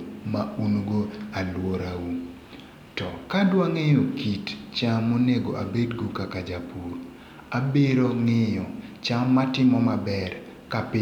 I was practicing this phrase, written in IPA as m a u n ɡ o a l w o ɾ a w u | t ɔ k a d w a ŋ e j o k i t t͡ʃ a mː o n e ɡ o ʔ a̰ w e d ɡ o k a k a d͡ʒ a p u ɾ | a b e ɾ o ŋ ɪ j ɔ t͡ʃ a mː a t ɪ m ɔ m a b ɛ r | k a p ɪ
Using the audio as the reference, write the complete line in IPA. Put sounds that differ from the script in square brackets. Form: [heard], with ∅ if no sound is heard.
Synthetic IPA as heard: m a u n ɡ o a l w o ɾ a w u | t ɔ k a d w a ŋ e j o k i t t͡ʃ a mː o n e ɡ o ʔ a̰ [b] e d ɡ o k a k a d͡ʒ a p u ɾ | a b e ɾ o ŋ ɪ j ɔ t͡ʃ a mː a t ɪ m ɔ m a b ɛ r | k a p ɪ